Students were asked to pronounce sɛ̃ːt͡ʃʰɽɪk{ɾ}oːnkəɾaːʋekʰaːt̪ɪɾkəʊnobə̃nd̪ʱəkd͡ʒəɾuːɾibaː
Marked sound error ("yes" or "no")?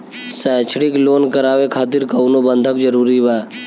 yes